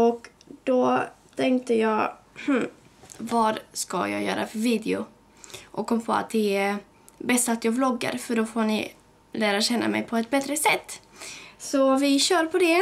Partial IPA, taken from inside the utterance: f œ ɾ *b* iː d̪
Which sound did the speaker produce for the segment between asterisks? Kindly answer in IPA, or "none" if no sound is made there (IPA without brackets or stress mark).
v